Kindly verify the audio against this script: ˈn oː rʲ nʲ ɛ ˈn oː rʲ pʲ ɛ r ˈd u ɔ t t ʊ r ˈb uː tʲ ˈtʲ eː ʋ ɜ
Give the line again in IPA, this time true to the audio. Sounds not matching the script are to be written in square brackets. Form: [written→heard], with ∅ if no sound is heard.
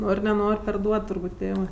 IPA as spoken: ˈn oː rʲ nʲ ɛ ˈn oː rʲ pʲ ɛ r ˈd u ɔ t t ʊ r ˈb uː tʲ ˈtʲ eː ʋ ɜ